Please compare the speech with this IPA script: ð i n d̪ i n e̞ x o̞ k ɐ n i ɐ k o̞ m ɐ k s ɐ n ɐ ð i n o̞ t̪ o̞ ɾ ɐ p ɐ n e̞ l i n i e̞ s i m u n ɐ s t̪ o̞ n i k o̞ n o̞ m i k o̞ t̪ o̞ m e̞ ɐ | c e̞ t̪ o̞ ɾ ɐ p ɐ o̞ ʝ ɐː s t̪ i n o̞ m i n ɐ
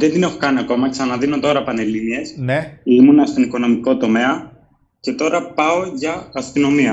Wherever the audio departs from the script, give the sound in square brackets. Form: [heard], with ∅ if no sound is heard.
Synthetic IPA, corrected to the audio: ð [e] n d̪ i n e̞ x o̞ k ɐ n i ɐ k o̞ m ɐ k s ɐ n ɐ ð i n o̞ t̪ o̞ ɾ ɐ p ɐ n e̞ l i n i e̞ s i m u n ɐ s t̪ o̞ n i k o̞ n o̞ m i k o̞ t̪ o̞ m e̞ ɐ | c e̞ t̪ o̞ ɾ ɐ p ɐ o̞ ʝ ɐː s t̪ i n o̞ m i [∅] ɐ